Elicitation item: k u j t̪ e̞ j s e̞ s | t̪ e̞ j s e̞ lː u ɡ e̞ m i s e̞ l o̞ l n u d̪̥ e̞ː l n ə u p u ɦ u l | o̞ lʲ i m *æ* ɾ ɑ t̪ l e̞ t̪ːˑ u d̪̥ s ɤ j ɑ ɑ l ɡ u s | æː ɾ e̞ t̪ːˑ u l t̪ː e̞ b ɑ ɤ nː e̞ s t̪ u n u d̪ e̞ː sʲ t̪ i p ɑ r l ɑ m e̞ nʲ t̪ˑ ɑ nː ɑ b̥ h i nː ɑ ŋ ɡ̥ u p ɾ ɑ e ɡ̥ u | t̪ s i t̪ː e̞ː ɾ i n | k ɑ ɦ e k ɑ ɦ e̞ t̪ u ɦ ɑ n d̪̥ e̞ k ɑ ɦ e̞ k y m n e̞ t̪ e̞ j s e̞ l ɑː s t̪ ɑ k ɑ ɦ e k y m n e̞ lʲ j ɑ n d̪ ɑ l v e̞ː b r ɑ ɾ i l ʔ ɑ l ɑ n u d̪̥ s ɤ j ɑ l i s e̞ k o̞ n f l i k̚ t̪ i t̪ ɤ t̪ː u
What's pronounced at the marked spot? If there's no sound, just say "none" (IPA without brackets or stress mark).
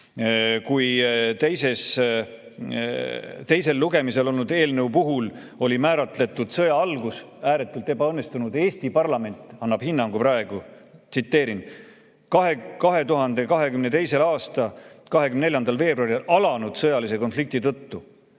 æː